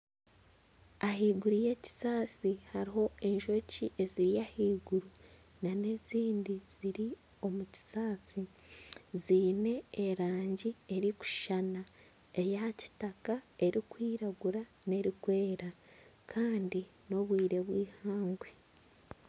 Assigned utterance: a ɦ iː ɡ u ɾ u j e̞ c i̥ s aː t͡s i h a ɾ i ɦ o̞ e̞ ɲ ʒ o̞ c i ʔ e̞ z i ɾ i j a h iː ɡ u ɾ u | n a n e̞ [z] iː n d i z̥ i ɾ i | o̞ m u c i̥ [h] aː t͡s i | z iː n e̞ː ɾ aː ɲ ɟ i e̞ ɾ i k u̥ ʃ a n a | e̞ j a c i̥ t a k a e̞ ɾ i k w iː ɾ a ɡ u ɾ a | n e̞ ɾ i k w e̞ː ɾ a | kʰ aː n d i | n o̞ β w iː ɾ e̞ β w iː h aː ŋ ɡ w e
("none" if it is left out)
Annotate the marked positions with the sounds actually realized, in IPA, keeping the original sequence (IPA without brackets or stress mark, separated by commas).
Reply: z, s